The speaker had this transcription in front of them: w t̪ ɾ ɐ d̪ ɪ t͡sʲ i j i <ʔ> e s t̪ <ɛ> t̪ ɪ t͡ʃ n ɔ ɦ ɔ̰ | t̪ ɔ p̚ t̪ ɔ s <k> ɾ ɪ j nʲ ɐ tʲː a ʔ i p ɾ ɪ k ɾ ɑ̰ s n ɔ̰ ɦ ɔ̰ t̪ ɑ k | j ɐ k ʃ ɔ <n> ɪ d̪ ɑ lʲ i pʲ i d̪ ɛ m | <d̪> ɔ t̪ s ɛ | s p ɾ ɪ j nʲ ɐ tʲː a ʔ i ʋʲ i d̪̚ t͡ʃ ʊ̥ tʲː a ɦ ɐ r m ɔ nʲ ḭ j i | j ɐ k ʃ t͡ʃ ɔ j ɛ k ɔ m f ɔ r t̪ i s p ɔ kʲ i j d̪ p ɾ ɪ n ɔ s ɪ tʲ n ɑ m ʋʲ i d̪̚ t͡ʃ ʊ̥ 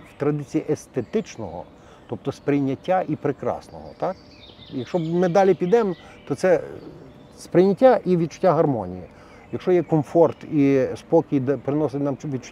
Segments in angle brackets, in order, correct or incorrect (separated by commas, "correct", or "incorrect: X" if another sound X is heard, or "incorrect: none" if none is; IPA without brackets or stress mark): correct, incorrect: e, incorrect: p, incorrect: m, incorrect: t̪